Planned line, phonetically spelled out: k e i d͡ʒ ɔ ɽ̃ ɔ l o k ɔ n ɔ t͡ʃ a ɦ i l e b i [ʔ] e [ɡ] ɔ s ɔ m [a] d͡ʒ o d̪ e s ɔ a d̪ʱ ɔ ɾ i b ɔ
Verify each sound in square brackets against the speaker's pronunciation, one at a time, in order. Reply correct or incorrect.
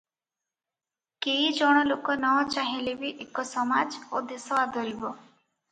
correct, incorrect: k, correct

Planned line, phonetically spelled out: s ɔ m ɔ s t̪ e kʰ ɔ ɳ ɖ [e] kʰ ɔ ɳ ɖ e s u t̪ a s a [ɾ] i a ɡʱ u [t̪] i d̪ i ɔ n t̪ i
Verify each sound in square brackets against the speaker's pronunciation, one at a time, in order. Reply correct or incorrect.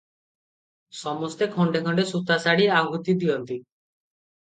correct, incorrect: ɽ, correct

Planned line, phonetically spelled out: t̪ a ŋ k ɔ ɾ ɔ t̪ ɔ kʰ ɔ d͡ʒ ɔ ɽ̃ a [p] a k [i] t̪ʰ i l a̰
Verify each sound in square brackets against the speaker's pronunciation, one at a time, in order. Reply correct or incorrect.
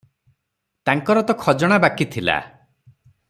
incorrect: b, correct

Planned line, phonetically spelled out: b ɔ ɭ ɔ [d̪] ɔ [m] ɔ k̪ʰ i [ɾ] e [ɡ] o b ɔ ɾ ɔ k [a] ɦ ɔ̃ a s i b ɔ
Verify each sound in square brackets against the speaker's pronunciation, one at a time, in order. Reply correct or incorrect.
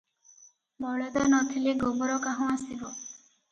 correct, incorrect: n, incorrect: l, correct, correct

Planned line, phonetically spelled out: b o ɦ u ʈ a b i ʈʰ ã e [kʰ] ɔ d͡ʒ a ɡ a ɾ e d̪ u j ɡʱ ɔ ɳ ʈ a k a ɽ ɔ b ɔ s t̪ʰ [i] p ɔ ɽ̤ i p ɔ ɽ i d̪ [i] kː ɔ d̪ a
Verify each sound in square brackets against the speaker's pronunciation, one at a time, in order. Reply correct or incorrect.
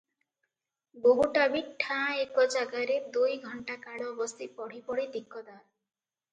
incorrect: k, correct, correct

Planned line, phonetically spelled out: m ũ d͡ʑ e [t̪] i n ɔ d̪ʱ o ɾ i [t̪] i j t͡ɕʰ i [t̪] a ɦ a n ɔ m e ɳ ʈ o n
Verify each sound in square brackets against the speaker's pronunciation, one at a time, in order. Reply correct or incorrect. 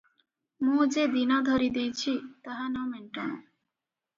incorrect: d̪, incorrect: d̪, correct

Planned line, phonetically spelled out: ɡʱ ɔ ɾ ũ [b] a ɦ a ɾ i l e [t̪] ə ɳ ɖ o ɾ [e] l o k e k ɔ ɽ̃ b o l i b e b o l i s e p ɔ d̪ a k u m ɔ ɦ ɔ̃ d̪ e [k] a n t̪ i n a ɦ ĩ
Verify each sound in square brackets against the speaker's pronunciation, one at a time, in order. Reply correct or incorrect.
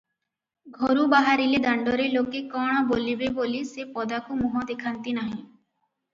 correct, incorrect: d̪, correct, incorrect: kʰ

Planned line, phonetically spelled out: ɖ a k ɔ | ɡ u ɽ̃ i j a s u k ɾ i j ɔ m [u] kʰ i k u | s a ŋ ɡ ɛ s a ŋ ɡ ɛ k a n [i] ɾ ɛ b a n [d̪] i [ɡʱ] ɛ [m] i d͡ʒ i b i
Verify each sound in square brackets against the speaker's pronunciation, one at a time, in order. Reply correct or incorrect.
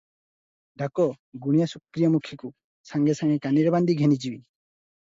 correct, correct, correct, correct, incorrect: n

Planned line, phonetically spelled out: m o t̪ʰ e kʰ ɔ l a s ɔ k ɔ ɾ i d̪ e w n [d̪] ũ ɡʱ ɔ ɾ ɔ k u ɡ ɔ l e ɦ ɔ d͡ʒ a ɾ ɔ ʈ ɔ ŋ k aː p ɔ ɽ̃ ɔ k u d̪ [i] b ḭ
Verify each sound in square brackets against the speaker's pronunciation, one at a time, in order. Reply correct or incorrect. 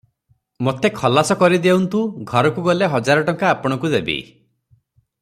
incorrect: t̪, incorrect: e

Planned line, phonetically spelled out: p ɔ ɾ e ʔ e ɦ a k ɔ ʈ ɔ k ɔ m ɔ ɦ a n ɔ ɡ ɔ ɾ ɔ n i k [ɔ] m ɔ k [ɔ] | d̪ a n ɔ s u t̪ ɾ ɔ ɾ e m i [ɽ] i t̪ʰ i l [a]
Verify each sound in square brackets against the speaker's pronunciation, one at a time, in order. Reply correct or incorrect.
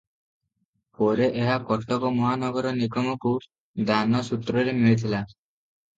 correct, incorrect: u, incorrect: ɭ, correct

